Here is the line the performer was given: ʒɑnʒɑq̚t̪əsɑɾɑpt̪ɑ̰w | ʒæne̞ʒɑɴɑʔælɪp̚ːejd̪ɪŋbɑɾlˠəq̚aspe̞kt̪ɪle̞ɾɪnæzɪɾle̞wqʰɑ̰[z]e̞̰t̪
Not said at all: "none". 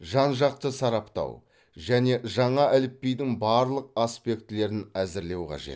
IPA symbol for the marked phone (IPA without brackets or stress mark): ʒ